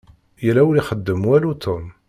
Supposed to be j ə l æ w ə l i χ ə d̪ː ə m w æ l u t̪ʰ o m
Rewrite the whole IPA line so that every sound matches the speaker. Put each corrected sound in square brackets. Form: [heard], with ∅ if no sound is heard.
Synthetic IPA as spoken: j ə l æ w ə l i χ ə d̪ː ə m w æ l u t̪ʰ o m